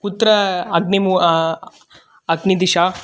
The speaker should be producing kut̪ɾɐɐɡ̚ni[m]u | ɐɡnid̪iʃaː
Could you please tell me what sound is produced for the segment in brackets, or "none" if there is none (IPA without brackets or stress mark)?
m